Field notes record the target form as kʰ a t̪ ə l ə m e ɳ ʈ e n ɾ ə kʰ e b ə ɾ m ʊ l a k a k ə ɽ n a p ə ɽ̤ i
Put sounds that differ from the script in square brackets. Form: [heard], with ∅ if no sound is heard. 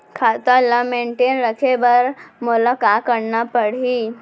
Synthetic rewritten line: kʰ a t̪ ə l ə m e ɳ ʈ e n ɾ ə kʰ e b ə ɾ m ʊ l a k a k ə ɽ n a p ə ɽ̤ i